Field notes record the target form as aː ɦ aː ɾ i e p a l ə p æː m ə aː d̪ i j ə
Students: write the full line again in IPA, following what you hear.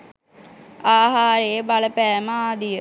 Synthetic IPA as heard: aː ɦ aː ɾ e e b a l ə p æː m ə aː d̪ i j ə